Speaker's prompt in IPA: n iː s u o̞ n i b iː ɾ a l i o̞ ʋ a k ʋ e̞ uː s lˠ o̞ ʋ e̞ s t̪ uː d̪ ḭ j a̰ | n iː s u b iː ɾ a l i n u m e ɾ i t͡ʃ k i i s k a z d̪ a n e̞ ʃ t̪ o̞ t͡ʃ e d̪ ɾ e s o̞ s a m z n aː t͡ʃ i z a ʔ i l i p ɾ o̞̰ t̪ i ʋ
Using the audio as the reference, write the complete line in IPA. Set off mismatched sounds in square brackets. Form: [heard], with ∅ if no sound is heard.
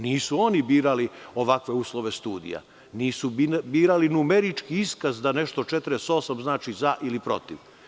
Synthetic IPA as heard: n iː s u o̞ n i b iː ɾ a l i o̞ ʋ a k ʋ e̞ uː s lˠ o̞ ʋ e̞ s t̪ uː d̪ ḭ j a̰ | n iː s u b iː ɾ a l i n u m e ɾ i t͡ʃ k i i s k a z d̪ a n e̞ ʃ t̪ o̞ t͡ʃ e [t̪] ɾ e s o̞ s a m z n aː t͡ʃ i z a ʔ i l i p ɾ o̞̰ t̪ i ʋ

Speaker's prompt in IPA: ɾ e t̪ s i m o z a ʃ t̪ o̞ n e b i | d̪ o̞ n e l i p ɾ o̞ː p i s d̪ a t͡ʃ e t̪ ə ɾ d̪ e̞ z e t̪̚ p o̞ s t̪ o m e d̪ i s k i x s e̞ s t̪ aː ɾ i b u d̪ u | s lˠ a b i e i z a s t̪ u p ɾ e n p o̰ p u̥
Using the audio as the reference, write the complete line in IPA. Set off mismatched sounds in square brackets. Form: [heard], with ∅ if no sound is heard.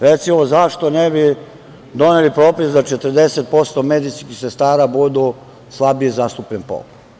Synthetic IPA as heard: ɾ e t̪ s i m o z a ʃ t̪ o̞ n e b i | d̪ o̞ n e l i p ɾ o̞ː p i s d̪ a t͡ʃ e t̪ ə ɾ d̪ e̞ [s] e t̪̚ p o̞ s t̪ o m e d̪ i s k i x s e̞ s t̪ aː ɾ [a] b u d̪ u | s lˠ a b i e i z a s t̪ u p [ʎ] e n p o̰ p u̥

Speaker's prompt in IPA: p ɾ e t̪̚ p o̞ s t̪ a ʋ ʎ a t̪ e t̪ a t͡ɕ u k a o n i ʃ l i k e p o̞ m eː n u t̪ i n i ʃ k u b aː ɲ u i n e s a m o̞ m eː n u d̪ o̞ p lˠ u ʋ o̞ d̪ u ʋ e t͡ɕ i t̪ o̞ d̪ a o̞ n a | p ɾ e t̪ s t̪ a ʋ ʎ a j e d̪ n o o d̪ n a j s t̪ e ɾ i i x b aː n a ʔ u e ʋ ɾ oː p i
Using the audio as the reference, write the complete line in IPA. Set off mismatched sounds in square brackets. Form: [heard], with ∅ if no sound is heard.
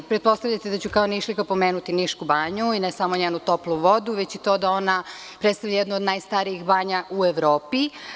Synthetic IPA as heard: p ɾ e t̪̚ p o̞ s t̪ a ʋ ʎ a t̪ e [d̪] a t͡ɕ u k a o n i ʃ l i k [a] p o̞ m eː n u t̪ i n i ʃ k u b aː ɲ u i n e s a m o̞ [ɲ] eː n u [t̪] o̞ p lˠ u ʋ o̞ d̪ u ʋ e t͡ɕ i t̪ o̞ d̪ a o̞ n a | p ɾ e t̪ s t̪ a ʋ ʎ a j e d̪ n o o d̪ n a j s t̪ [a] ɾ i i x b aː [ɲ] a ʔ u e ʋ ɾ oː p i

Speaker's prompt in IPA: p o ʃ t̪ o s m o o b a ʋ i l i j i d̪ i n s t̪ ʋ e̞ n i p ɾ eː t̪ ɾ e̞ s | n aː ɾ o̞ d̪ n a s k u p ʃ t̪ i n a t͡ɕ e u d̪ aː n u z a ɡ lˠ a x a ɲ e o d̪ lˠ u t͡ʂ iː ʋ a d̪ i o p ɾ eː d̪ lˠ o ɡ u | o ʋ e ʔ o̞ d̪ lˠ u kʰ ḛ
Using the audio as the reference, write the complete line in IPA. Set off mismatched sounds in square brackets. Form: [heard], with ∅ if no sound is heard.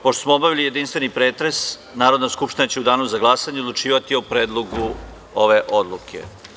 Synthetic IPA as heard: p o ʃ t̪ o s m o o b a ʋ i l i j [e] d̪ i n s t̪ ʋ e̞ n i p ɾ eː t̪ ɾ e̞ s | n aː ɾ o̞ d̪ n a s k u p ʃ t̪ i n a t͡ɕ e u d̪ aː n u z a ɡ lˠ a [s] a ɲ e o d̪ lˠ u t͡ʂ iː ʋ a [t̪] i o p ɾ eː d̪ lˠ o ɡ u | o ʋ e ʔ o̞ d̪ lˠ u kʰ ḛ

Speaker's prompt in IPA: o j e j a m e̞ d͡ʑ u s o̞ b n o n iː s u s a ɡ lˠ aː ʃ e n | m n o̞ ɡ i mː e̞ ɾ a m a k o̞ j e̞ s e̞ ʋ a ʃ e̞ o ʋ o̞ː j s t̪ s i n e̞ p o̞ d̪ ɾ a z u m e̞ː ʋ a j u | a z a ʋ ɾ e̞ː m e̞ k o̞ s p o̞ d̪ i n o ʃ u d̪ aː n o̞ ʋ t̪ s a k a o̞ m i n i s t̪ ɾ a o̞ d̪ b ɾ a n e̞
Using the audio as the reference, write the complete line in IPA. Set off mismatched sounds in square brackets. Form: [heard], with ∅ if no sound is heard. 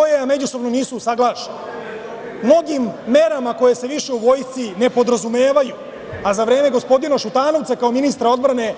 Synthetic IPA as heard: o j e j a m e̞ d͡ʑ u s o̞ b n o n iː s u s a ɡ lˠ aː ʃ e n | m n o̞ ɡ i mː e̞ ɾ a m a k o̞ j e̞ s e̞ ʋ [i] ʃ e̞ [u] ʋ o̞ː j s t̪ s i n e̞ p o̞ d̪ ɾ a z u m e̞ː ʋ a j u | a z a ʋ ɾ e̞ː m e̞ [ɡ] o̞ s p o̞ d̪ i n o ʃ u [t̪] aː n o̞ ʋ t̪ s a k a o̞ m i n i s t̪ ɾ a o̞ d̪ b ɾ a n e̞

